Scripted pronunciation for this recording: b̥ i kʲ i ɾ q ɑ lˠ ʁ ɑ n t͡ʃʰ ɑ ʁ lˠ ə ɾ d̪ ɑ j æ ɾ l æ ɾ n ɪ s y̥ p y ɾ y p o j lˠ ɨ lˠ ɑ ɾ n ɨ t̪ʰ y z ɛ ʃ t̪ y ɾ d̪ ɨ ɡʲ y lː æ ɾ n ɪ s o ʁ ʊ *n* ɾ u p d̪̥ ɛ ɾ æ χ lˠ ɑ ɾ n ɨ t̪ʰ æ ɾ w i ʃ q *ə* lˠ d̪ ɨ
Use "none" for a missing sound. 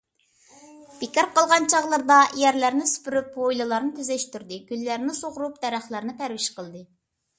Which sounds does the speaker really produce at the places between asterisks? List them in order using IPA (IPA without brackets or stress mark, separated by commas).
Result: none, ə